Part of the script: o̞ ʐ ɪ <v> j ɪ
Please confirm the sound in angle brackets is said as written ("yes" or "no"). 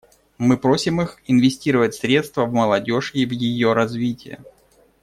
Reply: yes